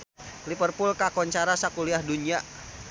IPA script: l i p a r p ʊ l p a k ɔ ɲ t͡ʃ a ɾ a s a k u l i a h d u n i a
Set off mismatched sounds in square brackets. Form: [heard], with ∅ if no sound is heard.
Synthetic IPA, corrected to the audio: l i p [ə] r p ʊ l [k] a k ɔ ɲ t͡ʃ a ɾ a s a k u l i a h d u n i a